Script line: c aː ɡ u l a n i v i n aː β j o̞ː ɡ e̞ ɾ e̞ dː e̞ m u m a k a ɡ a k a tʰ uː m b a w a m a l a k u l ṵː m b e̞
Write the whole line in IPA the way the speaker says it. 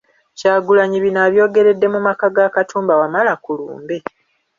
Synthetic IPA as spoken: c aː ɡ u l a ɲ i β i n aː β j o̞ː ɡ e̞ ɾ e̞ dː e̞ m u m a k a ɡ a k a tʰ uː m b a w a m a l a k u l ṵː m b e̞

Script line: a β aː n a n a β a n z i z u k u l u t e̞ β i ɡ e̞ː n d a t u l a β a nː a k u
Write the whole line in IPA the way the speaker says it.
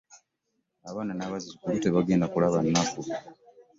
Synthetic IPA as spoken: a β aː n a n a β a z i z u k u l u t e̞ β a ɡ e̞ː n d a k u l a β a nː a k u

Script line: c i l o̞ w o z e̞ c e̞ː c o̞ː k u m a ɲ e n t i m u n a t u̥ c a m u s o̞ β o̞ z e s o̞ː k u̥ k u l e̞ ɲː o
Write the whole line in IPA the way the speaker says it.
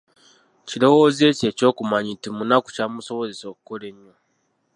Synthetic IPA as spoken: c i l o̞ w o z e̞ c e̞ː c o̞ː k u m a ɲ i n t i m u n a k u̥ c a m u s o̞ β o̞ z e s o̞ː k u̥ k o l e̞ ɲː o

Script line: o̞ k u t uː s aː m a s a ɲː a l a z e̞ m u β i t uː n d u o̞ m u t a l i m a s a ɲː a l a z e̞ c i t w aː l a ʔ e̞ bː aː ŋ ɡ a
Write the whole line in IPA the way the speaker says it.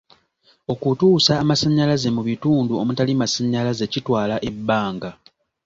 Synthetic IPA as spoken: o̞ k u t uː s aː m a s a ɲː a l a z e̞ m u β i t uː n d u o̞ m u t a l i m a s a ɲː a l a z e̞ c i t w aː l a ʔ e̞ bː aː ŋ ɡ a

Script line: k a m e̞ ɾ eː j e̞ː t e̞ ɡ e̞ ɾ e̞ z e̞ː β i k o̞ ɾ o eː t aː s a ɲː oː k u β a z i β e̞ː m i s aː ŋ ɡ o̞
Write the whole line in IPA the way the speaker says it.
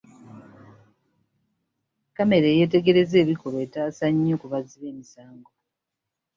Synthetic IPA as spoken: k a m e̞ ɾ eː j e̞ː t e̞ ɡ e̞ ɾ e̞ z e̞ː β i k o̞ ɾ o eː t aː s a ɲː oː k u β a z i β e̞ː m i s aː ŋ ɡ o̞

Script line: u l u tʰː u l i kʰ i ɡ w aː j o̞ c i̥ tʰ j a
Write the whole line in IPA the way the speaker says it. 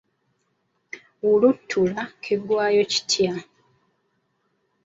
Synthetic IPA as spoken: u l u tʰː u l a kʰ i ɡ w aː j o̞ c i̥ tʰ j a

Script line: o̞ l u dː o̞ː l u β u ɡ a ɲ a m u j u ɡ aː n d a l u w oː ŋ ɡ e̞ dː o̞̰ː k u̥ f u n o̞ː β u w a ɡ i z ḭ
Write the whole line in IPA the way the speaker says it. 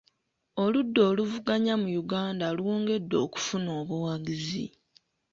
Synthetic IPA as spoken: o̞ l u dː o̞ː l u v u ɡ a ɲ a m u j u ɡ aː n d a l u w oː ŋ ɡ e̞ dː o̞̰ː k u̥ f u n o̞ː β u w a ɡ i z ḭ

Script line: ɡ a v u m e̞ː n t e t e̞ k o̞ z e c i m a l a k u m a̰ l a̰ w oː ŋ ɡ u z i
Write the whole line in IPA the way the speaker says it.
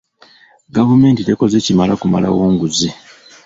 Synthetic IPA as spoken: ɡ a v u m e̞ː n t i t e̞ k o̞ z e c i m a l a k u m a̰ l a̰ w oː ŋ ɡ u z i

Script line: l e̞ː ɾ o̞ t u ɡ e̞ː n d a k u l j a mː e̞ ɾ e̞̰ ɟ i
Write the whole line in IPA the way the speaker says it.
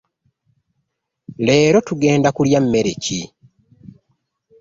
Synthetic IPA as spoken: l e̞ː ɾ o̞ t u ɡ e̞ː n d a k u l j a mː e̞ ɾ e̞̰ c i

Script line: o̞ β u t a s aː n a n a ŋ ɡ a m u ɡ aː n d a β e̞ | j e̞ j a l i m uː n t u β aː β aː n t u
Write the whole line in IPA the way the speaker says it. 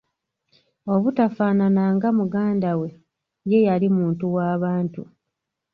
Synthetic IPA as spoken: o̞ β u t a f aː n a n a ŋ ɡ a m u ɡ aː n d a w e̞ | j e̞ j a l i m uː n t u w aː β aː n t u

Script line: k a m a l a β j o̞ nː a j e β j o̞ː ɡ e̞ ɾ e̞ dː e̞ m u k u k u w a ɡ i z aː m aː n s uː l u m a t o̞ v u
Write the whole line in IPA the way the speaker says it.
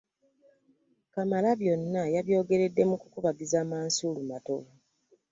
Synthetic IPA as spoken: k a m a l a β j o̞ nː a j a β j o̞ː ɡ e̞ ɾ e̞ dː e̞ m u k u k u β a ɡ i z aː m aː n s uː l u m a t o̞ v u

